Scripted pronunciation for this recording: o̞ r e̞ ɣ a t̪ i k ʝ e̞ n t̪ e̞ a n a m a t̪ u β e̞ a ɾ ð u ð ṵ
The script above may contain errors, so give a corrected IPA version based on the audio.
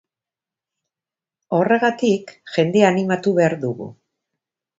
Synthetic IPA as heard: o̞ r e̞ ɣ a t̪ i k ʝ e̞ n d̪ e̞ a n i m a t̪ u β e̞ a ɾ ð u ɣ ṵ